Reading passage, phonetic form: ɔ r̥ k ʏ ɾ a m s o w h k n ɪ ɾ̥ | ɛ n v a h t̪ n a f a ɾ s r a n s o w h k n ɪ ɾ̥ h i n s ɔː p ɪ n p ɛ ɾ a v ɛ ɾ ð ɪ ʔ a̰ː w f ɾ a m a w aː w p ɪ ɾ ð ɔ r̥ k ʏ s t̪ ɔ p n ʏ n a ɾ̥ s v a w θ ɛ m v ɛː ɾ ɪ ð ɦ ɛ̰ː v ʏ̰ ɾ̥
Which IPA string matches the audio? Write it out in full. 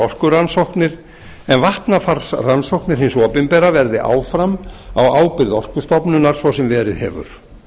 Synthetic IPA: ɔ r̥ k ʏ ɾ a n s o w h k n ɪ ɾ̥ | ɛ n v a h t̪ n a f a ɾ s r a n s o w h k n ɪ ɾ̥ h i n s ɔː p ɪ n p ɛ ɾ a v ɛ ɾ ð ɪ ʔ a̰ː w f ɾ a m a w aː w p ɪ ɾ ð ɔ r̥ k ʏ s t̪ ɔ p n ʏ n a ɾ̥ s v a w s ɛ m v ɛː ɾ ɪ ð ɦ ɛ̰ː v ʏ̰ ɾ̥